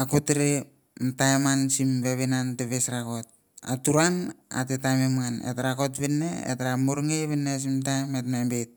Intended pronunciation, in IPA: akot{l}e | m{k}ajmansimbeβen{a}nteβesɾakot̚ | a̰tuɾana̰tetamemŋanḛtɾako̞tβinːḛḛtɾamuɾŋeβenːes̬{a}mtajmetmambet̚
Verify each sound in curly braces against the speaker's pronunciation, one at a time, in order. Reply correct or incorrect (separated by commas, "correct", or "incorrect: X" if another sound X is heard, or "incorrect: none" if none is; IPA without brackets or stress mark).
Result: incorrect: ɾ, incorrect: t, correct, incorrect: i